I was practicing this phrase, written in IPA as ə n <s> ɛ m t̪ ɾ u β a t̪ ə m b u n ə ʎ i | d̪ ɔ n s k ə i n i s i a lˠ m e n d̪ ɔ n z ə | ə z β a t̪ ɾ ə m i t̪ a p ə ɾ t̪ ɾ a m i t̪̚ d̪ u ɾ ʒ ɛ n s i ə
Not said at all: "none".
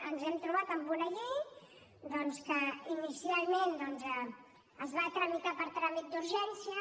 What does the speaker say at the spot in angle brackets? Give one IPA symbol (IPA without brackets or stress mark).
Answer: z